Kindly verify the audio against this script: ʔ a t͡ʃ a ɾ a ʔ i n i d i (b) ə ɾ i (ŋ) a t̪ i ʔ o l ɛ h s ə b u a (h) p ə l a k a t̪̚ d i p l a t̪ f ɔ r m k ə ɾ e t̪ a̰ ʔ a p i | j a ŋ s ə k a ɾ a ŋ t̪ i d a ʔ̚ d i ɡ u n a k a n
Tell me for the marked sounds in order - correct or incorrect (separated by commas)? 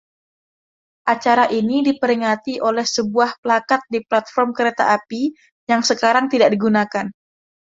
incorrect, correct, correct